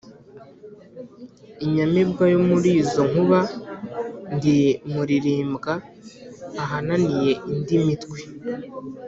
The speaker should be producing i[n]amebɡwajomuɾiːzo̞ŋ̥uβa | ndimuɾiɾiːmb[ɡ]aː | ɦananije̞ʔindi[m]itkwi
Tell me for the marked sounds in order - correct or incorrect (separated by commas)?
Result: incorrect, correct, correct